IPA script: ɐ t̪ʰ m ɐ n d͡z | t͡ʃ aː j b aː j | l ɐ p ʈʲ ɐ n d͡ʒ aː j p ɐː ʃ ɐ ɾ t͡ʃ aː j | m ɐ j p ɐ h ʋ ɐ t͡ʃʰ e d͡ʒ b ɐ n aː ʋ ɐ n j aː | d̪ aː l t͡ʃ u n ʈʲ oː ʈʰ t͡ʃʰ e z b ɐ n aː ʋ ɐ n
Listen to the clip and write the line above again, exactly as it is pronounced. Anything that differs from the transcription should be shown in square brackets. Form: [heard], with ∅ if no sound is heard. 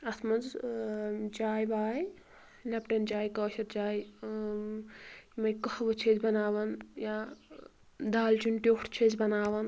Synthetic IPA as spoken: ɐ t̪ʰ m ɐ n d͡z | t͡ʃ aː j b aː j | l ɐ p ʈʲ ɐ n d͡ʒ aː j [k] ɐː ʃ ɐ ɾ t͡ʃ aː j | m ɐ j [k] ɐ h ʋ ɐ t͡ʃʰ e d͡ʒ b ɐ n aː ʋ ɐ n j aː | d̪ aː l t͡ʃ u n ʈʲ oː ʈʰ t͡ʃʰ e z b ɐ n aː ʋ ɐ n

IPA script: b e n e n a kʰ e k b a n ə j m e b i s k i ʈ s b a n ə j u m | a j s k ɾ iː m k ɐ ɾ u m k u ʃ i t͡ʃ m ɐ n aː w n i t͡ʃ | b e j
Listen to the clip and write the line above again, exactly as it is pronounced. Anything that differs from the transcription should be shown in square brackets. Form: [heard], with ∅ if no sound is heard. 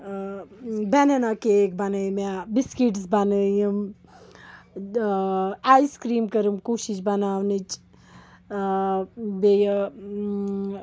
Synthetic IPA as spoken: b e n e n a [k] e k b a n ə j m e b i s k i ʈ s b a n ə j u m | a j s k ɾ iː m k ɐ ɾ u m k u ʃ i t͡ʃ [b] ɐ n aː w n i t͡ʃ | b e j

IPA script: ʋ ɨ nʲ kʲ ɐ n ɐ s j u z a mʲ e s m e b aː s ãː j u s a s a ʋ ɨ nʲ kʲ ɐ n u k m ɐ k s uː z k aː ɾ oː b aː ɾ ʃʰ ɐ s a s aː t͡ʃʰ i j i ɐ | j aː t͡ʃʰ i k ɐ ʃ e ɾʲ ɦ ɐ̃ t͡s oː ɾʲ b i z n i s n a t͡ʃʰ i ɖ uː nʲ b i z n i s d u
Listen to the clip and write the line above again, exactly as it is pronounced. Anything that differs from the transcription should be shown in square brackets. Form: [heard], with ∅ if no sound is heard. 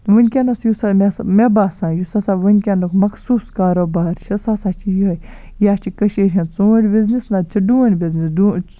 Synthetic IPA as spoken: ʋ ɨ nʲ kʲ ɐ n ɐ s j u [s] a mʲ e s m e b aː s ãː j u s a s a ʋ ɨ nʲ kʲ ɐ n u k m ɐ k s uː [s] k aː ɾ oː b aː ɾ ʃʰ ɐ s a s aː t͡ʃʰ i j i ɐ | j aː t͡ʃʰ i k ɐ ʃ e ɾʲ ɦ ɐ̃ t͡s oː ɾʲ b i z n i s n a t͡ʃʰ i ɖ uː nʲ b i z n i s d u

